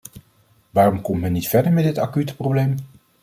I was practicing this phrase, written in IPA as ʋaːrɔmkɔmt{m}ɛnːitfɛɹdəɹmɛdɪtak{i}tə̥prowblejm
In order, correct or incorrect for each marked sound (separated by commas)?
correct, incorrect